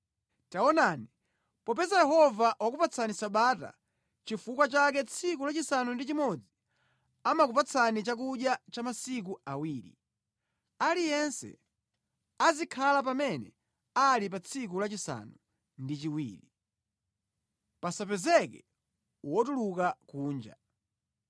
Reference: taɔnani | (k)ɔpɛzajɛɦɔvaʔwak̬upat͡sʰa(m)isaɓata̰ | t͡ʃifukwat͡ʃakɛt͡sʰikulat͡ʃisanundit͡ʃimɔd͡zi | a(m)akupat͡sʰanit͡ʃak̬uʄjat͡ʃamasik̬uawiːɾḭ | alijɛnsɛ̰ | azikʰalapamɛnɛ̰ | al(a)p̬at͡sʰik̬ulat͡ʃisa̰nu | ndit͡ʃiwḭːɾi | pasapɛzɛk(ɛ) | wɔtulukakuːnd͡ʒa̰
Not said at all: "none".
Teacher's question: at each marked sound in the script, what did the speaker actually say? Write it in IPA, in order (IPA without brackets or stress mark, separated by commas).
p, n, m, i, ɛ